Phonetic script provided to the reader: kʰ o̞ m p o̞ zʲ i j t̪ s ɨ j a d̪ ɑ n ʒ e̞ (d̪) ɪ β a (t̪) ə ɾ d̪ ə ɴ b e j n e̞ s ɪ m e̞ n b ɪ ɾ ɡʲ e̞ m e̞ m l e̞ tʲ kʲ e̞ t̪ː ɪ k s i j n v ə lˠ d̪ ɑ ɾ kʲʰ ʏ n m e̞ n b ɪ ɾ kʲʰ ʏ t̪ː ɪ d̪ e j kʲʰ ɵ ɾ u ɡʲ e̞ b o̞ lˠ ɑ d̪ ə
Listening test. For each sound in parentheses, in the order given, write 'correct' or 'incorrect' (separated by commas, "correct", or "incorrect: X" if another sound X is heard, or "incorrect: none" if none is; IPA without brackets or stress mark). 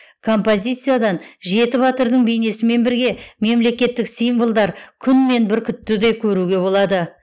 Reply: incorrect: t̪, correct